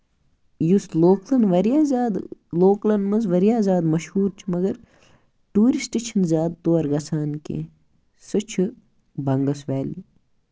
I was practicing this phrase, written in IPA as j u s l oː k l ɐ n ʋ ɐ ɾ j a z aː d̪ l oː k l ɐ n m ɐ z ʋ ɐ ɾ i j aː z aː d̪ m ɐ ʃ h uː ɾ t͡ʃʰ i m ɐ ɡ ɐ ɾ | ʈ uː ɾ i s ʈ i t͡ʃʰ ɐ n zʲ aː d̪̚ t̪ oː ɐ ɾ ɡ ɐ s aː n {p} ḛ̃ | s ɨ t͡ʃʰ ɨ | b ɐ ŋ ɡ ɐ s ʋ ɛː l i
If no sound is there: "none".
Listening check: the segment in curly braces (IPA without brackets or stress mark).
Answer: k